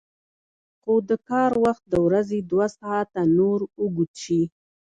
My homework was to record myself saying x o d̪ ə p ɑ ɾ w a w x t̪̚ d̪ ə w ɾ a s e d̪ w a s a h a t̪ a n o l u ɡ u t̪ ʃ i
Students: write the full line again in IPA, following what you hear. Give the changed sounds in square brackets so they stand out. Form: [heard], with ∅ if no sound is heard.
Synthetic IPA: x o d̪ ə [k] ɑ ɾ w a [∅] x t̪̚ d̪ ə w ɾ a [z] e d̪ w a s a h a t̪ a n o [ɾ] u ɡ u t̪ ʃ i